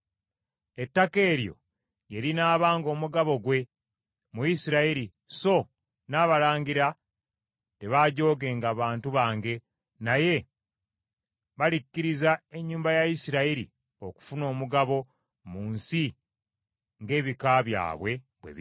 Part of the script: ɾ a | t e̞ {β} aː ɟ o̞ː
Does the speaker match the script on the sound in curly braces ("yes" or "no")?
yes